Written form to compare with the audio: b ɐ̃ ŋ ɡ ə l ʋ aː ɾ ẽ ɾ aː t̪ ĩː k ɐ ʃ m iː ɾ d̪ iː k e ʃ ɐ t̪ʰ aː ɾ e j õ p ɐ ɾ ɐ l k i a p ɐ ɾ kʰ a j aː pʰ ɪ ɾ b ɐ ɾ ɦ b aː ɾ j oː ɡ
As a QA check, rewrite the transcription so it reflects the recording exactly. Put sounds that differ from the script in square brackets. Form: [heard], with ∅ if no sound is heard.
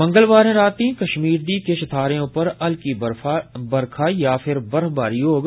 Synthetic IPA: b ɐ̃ ŋ ɡ ə l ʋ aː ɾ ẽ ɾ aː t̪ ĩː k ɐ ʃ m iː ɾ d̪ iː k e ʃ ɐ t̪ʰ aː ɾ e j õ p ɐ ɾ ɐ l k i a [b] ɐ ɾ kʰ a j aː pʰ ɪ ɾ b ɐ ɾ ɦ b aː ɾ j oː ɡ

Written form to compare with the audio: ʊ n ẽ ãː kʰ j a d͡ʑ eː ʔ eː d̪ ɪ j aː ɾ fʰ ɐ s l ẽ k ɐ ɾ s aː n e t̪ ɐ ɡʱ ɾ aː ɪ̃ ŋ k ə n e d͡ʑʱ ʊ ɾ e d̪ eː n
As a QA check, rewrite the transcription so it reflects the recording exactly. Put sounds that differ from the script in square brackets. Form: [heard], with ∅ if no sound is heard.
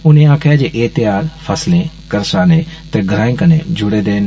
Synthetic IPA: ʊ n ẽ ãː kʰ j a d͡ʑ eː ʔ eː [t̪] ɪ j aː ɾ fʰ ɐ s l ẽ k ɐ ɾ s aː n e t̪ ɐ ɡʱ ɾ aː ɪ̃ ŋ k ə n e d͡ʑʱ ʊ [ɽ] e d̪ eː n

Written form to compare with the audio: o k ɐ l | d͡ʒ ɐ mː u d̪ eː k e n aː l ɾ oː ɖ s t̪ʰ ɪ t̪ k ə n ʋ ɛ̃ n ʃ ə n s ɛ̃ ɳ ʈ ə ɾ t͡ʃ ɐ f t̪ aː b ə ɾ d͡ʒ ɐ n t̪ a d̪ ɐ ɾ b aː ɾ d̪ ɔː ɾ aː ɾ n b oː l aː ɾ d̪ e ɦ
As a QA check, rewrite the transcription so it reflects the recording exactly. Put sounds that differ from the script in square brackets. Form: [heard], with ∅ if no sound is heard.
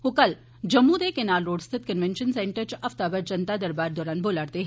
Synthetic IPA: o k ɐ l | d͡ʒ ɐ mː u d̪ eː k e n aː l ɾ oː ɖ s t̪ʰ ɪ t̪ k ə n ʋ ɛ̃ n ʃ ə n s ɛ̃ ɳ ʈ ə ɾ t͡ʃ ɐ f t̪ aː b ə ɾ d͡ʒ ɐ n t̪ a d̪ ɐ ɾ b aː ɾ d̪ ɔː ɾ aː [∅] n b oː l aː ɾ [t̪] e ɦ

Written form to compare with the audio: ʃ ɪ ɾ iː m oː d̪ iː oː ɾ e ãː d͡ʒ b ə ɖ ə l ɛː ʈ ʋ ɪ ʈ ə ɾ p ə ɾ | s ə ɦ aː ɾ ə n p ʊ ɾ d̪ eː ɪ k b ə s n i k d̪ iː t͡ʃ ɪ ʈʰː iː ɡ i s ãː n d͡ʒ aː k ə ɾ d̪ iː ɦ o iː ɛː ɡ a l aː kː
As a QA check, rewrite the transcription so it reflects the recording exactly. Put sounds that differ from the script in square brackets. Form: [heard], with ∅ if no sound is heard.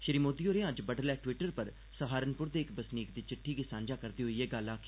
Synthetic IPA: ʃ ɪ ɾ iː m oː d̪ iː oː ɾ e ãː d͡ʒ b ə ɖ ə l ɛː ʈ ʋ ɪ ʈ ə ɾ p ə ɾ | s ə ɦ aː ɾ ə n p ʊ ɾ d̪ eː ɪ k b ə s n [iː] k d̪ iː t͡ʃ ɪ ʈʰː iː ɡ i s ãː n d͡ʒ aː k ə ɾ d̪ iː ɦ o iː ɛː ɡ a l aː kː

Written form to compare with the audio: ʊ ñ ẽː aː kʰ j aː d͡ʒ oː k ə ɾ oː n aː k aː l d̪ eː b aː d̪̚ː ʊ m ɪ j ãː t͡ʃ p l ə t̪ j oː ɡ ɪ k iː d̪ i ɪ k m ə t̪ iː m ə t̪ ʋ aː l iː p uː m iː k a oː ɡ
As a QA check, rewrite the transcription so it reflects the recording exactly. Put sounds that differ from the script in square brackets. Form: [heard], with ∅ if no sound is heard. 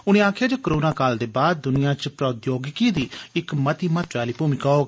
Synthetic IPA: ʊ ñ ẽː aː kʰ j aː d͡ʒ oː k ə ɾ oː n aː k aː l d̪ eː b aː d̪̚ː ʊ [n] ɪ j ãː t͡ʃ p [ɾ] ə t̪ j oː ɡ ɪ k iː d̪ [iː] ɪ k m ə t̪ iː m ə t̪ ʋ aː l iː p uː m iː k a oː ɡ

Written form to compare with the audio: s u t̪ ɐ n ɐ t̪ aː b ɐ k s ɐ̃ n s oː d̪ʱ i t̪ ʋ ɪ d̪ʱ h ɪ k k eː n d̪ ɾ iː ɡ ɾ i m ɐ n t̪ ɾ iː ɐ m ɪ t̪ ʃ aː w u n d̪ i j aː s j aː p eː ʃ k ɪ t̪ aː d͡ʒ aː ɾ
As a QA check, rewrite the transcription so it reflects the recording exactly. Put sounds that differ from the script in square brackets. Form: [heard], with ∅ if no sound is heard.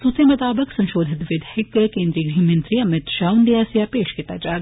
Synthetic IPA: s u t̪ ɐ [m] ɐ t̪ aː b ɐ k s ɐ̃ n [ʃ] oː d̪ʱ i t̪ ʋ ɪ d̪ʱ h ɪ k k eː n d̪ ɾ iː ɡ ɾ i m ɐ n t̪ ɾ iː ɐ m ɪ t̪ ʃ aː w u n d̪ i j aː s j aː p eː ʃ k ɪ t̪ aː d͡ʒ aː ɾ

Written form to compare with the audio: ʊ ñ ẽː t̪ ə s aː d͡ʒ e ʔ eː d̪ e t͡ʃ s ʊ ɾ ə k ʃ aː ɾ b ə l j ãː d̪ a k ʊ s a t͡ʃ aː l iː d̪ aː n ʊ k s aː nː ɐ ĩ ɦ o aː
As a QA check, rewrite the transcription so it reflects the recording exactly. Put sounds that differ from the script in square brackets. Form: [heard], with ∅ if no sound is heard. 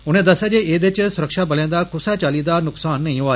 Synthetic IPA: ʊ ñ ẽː [d̪] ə s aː d͡ʒ e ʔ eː d̪ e t͡ʃ s ʊ ɾ ə k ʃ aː [∅] b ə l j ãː d̪ a k ʊ s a t͡ʃ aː l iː d̪ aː n ʊ k s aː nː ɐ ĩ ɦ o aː

